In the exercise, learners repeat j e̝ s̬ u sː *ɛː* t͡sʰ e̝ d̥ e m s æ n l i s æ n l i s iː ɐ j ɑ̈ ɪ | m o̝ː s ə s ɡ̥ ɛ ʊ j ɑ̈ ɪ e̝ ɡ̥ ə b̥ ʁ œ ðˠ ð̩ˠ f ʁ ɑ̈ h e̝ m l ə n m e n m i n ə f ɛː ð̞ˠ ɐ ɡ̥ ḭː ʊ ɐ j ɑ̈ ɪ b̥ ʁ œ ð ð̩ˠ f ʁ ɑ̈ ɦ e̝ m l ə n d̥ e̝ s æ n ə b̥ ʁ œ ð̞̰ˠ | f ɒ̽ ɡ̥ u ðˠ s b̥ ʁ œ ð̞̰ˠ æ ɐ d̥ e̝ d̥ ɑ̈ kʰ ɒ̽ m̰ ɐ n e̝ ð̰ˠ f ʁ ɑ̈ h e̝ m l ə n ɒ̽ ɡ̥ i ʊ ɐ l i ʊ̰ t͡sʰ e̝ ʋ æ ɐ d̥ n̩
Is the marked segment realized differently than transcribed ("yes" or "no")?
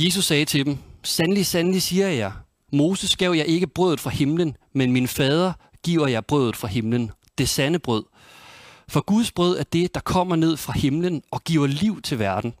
no